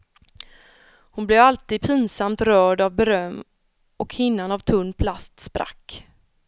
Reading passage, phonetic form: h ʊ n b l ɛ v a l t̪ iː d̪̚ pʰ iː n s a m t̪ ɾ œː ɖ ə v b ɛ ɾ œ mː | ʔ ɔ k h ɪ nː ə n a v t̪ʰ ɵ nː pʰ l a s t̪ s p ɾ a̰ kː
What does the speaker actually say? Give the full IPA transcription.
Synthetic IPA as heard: h ʊ n b l ɛ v a l t̪ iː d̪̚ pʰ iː n s a m t̪ ɾ œː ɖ a v b ɛ ɾ œ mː | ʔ ɔ k h ɪ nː a n a v t̪ʰ ɵ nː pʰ l a s t̪ s p ɾ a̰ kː